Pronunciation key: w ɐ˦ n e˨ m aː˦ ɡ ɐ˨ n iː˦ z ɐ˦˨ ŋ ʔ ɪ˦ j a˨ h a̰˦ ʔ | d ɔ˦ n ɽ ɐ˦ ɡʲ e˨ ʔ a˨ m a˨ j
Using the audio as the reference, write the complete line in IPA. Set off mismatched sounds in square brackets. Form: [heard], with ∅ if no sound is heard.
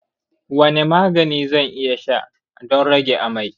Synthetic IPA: w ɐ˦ n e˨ m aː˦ ɡ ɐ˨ n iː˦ z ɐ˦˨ ŋ ʔ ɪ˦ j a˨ [ʃ] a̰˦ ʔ | d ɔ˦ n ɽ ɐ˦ ɡʲ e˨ ʔ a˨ m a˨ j